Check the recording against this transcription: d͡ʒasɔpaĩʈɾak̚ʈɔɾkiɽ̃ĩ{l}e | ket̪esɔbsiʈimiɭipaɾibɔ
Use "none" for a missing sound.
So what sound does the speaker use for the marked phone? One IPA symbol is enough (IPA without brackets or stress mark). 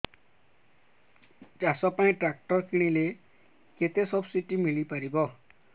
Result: l